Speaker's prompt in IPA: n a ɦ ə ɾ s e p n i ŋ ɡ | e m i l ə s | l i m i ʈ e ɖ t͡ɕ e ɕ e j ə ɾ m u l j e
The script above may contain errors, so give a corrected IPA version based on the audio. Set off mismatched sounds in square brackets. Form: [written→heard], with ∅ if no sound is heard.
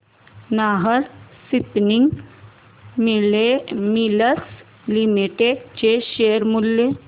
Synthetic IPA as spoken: n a ɦ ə ɾ s [e→i] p n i ŋ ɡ | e m i l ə s | l i m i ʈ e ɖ t͡ɕ e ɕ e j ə ɾ m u l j e